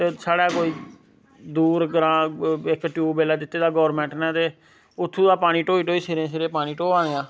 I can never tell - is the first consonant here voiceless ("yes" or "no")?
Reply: yes